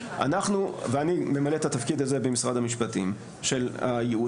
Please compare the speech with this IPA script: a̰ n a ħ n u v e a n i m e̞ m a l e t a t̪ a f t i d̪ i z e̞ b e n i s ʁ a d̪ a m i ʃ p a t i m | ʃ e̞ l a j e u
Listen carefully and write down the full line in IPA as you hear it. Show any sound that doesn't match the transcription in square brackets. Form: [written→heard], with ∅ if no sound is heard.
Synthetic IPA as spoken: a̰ n a [ħ→χ] n u v e a n i m e̞ m a l e t a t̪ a f [t→k] i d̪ [i→a] z e̞ b e [n→m] i s ʁ a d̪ a m i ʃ p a t i m | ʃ e̞ l a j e u